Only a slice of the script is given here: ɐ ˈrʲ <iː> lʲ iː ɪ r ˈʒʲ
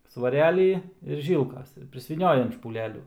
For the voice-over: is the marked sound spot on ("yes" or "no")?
no